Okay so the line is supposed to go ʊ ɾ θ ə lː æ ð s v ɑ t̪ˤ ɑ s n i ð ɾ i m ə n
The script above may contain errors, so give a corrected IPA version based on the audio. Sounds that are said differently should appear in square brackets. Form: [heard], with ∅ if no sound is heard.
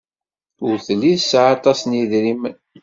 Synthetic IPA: ʊ ɾ θ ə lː [i] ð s [ʕ] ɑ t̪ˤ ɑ s n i ð ɾ i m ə n